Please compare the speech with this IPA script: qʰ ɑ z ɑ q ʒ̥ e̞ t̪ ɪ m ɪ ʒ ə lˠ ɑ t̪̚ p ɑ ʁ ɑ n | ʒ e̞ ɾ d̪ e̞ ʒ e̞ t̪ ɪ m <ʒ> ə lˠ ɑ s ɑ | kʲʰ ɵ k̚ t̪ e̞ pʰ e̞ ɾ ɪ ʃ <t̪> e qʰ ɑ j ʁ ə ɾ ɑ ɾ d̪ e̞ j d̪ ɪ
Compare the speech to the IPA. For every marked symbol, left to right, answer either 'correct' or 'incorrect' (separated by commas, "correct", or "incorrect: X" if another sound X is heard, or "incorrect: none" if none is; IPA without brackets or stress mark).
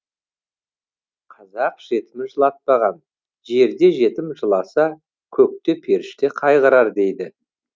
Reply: correct, correct